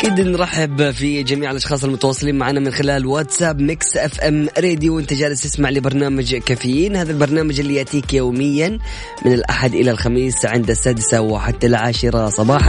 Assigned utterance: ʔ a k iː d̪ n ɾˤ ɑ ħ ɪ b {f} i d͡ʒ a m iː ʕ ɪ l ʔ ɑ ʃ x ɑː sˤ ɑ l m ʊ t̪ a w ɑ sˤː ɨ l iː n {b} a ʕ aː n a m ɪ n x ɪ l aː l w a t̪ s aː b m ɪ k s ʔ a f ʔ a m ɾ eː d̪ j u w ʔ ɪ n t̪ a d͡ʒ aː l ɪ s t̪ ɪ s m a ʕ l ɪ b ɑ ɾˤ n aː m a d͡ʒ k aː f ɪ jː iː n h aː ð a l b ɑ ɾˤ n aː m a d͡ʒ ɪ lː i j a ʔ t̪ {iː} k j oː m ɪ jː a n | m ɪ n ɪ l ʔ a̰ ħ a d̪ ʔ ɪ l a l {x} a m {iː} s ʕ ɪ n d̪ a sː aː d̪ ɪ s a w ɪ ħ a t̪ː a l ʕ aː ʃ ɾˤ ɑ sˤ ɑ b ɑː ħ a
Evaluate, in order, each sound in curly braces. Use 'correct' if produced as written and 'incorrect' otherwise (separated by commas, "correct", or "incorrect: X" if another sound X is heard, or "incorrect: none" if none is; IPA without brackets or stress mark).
correct, incorrect: m, correct, correct, correct